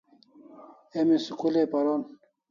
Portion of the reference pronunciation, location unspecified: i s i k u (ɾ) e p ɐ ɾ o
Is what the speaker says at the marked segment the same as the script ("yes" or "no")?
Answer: no